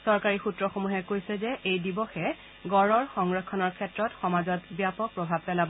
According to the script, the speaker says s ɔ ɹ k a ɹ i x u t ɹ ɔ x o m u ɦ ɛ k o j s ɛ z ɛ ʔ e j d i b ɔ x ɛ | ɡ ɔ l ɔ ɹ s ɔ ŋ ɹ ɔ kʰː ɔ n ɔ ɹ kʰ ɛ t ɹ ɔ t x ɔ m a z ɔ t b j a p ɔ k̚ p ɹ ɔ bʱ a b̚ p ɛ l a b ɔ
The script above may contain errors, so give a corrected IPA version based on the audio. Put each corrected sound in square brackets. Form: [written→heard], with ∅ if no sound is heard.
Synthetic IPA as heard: s ɔ ɹ k a ɹ i x u t ɹ ɔ x o m u ɦ ɛ k o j s ɛ z ɛ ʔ e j d i b ɔ x ɛ | ɡ ɔ [l→ɹ] ɔ ɹ [s→x] ɔ ŋ ɹ ɔ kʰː ɔ n ɔ ɹ kʰ ɛ t ɹ ɔ t x ɔ m a z ɔ t b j a p ɔ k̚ p ɹ ɔ bʱ a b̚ p ɛ l a b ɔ